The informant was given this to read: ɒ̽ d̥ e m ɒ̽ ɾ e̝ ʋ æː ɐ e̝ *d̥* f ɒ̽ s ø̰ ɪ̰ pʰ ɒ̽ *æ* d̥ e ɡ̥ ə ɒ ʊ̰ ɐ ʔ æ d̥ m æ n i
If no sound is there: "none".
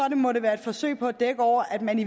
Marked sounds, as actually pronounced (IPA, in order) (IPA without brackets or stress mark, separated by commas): d̥, æ